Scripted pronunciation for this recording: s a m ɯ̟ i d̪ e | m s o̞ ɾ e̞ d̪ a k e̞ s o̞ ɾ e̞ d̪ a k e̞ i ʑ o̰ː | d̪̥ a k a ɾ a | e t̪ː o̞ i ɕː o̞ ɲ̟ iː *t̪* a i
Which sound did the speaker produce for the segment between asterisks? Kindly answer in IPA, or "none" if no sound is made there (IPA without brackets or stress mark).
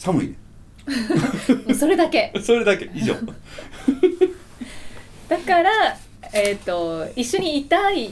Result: t̪